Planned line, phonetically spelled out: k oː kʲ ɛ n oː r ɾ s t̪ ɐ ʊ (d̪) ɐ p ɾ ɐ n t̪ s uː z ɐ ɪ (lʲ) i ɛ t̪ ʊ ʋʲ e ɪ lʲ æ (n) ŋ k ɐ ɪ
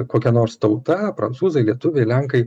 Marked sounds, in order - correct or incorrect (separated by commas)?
incorrect, correct, incorrect